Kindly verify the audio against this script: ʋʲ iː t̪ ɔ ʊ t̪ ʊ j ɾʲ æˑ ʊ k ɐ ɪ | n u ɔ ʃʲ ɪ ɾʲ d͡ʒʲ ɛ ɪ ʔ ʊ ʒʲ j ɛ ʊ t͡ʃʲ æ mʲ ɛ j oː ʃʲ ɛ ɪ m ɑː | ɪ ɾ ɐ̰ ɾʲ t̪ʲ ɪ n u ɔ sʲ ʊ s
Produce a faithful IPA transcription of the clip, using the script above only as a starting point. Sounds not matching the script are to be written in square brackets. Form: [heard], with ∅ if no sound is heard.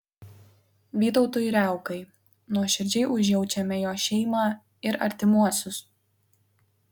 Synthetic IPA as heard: ʋʲ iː t̪ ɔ ʊ t̪ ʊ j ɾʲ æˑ ʊ k ɐ ɪ | n u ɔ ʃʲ ɪ ɾʲ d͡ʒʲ ɛ ɪ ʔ ʊ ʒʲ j ɛ ʊ t͡ʃʲ [ɛ] mʲ ɛ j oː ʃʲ ɛ ɪ m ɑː | ɪ ɾ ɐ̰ ɾʲ t̪ʲ ɪ [m] u ɔ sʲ ʊ s